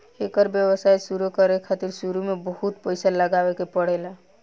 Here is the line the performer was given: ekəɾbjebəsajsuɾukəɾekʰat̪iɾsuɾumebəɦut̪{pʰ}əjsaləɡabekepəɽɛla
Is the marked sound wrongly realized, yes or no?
yes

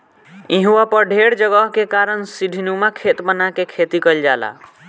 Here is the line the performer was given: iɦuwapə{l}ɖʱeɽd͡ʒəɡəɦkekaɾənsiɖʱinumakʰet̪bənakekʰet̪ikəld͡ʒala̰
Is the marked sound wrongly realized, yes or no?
yes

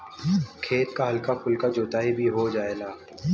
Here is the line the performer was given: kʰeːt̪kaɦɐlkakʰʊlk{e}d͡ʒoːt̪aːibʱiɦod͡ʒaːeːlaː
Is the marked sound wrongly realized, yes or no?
yes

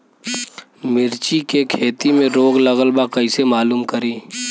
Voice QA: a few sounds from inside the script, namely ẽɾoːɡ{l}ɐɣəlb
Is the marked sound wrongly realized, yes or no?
no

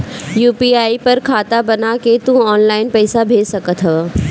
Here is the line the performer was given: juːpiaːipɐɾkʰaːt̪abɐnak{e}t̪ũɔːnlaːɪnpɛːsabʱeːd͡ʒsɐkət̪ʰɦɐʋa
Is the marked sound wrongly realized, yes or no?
no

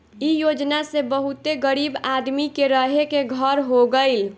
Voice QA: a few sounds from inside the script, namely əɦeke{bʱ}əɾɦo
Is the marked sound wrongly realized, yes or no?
yes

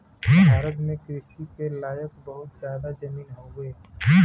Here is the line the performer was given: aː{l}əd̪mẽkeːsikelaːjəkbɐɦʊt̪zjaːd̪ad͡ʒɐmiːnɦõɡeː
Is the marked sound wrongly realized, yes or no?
yes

